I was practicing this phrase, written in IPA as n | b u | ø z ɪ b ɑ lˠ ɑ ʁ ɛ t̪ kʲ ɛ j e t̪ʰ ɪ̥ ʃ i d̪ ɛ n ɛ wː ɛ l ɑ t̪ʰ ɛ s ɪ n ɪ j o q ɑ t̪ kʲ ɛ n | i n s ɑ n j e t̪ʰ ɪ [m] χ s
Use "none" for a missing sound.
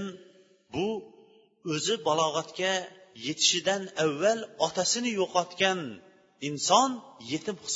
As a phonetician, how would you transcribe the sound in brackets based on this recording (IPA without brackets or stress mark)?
m